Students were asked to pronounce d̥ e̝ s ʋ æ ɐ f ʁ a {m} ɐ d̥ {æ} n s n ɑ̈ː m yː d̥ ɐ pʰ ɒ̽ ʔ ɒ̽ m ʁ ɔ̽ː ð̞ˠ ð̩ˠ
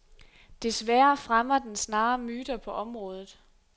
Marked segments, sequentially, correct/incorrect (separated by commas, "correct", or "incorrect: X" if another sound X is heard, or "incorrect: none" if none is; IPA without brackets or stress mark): correct, incorrect: e